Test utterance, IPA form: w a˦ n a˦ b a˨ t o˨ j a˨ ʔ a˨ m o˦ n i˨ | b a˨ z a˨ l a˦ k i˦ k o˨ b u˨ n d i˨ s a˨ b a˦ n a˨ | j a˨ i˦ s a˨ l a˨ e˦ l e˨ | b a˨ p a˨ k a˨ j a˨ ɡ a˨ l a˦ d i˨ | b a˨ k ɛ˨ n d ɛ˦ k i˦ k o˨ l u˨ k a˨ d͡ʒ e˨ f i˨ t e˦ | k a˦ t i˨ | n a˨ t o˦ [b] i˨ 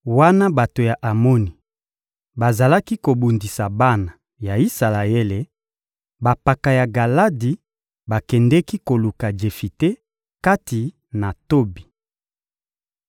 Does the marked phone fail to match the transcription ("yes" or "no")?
no